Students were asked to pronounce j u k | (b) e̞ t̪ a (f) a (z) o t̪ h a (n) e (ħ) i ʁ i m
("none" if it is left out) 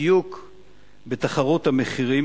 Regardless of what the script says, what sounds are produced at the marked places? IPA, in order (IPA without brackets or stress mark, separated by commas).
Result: b, χ, ʁ, m, χ